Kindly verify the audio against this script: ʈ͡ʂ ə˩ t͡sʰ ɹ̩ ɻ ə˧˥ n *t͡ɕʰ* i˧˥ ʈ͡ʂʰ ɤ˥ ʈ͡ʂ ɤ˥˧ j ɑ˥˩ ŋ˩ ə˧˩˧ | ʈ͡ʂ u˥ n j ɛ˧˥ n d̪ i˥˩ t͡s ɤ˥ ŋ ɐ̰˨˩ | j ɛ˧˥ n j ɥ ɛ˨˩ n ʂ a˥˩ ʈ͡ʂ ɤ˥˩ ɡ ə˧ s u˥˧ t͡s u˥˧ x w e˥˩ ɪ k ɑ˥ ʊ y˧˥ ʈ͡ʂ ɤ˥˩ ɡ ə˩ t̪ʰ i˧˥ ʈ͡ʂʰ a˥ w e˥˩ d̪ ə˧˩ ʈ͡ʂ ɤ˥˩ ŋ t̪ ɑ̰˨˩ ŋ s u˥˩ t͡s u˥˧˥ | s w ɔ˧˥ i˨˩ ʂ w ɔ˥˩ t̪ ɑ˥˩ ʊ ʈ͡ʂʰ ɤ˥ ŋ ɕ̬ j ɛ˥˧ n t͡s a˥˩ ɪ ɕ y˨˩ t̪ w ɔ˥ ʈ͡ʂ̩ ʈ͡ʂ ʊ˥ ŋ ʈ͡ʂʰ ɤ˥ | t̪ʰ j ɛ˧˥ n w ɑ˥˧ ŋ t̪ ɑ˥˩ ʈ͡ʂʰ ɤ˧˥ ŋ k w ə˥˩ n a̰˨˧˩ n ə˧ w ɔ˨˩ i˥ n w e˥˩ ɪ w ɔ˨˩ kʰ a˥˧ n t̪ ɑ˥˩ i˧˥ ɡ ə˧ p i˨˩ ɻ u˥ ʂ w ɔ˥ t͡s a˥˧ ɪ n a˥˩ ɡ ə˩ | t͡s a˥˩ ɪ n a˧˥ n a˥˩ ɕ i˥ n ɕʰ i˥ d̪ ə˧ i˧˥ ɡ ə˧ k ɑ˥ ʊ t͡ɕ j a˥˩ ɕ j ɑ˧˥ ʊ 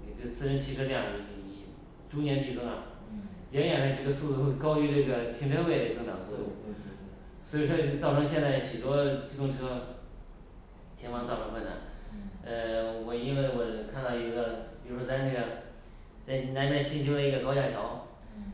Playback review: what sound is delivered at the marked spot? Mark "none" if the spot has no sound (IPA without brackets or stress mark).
t͡ɕʰ